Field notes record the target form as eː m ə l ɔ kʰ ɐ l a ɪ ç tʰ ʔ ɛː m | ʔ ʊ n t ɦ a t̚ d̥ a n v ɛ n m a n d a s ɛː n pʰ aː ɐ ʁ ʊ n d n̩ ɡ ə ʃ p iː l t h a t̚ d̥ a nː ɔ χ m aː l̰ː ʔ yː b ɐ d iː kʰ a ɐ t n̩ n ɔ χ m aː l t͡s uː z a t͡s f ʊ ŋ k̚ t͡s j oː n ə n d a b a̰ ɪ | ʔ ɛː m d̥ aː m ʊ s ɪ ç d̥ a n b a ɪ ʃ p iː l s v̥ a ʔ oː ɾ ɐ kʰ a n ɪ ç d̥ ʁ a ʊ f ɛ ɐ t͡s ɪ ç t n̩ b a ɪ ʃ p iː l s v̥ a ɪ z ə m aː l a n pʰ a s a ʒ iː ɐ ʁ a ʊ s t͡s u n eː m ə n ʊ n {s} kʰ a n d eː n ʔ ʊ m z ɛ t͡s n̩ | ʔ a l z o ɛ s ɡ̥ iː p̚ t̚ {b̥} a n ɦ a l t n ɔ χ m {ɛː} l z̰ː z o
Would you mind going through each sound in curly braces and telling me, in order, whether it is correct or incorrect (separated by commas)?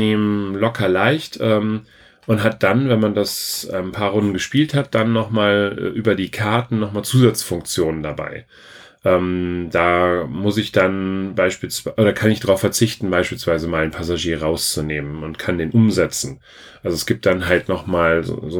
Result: incorrect, incorrect, incorrect